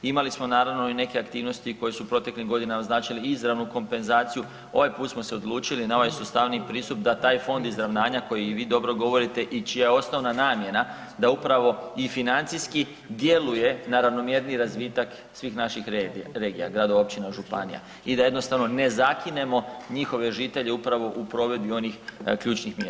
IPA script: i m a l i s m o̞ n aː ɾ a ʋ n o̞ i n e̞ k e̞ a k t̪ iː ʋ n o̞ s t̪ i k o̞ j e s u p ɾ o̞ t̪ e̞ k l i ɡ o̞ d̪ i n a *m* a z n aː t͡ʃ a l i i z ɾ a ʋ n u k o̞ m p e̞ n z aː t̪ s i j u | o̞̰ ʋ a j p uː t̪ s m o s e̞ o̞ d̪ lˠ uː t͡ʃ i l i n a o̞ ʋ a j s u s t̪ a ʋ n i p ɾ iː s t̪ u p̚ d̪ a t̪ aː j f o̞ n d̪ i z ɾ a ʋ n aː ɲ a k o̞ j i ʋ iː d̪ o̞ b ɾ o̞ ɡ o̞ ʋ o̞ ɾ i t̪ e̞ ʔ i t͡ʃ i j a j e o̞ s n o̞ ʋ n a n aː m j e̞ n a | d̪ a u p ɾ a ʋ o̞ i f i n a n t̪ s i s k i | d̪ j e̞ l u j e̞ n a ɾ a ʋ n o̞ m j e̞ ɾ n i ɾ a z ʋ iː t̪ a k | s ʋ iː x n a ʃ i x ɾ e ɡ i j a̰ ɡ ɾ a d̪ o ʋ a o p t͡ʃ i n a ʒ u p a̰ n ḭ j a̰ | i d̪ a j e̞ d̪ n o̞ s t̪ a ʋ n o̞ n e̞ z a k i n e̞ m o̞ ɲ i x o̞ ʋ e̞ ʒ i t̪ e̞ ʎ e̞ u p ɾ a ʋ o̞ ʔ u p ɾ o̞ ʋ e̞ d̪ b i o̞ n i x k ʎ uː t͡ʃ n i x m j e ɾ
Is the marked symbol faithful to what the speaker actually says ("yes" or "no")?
yes